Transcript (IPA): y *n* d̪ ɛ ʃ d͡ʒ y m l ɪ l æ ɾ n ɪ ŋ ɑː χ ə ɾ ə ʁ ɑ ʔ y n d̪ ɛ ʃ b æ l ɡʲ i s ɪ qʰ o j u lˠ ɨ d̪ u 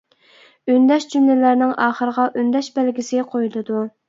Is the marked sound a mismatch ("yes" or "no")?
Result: no